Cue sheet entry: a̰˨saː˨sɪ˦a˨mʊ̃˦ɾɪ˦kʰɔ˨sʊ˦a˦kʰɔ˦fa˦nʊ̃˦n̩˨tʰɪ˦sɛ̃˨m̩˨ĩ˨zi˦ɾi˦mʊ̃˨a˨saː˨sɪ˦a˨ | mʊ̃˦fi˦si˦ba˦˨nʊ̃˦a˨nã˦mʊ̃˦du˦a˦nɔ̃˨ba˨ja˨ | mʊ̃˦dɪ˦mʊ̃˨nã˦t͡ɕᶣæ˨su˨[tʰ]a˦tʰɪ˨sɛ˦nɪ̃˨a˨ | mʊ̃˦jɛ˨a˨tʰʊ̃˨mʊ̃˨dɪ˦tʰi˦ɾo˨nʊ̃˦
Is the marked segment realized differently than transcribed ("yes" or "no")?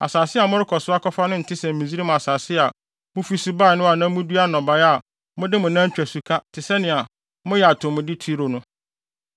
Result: yes